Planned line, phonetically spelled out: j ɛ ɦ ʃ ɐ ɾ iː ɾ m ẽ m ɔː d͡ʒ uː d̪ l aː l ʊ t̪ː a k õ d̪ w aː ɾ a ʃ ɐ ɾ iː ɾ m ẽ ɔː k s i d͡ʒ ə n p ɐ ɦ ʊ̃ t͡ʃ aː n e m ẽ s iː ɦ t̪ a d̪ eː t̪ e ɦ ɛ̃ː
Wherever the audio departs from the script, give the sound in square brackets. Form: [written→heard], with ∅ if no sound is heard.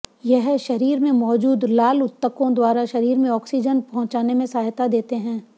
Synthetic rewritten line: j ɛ ɦ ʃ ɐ ɾ iː ɾ m ẽ m ɔː d͡ʒ uː d̪ l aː l ʊ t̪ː [a→ə] k õ d̪ w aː ɾ a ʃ ɐ ɾ iː ɾ m ẽ ɔː k s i d͡ʒ ə n p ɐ ɦ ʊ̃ t͡ʃ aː n e m ẽ s [iː→aː] ɦ t̪ a d̪ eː t̪ e ɦ ɛ̃ː

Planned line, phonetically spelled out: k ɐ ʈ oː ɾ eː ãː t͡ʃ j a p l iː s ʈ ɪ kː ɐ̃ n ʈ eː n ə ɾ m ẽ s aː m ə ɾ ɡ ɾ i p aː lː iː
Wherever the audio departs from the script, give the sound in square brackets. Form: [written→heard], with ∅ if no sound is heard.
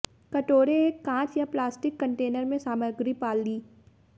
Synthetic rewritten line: k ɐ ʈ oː ɾ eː ãː t͡ʃ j a p l [iː→aː] s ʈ ɪ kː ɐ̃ [n→ɳ] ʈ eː n ə ɾ m ẽ s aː m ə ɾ ɡ ɾ i p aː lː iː

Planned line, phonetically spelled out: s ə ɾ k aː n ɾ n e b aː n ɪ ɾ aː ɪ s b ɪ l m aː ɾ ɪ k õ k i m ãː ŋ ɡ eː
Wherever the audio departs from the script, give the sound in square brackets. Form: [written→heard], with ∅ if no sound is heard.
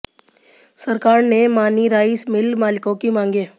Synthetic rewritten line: s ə ɾ k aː [n→∅] ɾ n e [b→m] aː n [ɪ→i] ɾ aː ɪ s [b→m] ɪ l m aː [ɾ→l] ɪ k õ k i m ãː ŋ ɡ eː

